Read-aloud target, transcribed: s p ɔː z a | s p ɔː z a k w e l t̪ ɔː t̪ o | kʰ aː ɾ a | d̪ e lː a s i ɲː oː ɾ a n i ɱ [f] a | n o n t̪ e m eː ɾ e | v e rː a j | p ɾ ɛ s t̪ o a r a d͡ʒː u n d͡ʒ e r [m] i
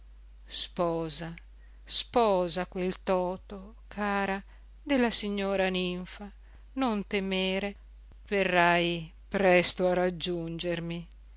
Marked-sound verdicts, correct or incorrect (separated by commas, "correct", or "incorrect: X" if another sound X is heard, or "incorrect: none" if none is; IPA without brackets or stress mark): correct, correct